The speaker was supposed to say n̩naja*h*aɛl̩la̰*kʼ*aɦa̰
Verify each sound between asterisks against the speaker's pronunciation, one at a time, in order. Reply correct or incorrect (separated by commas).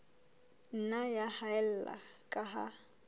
correct, correct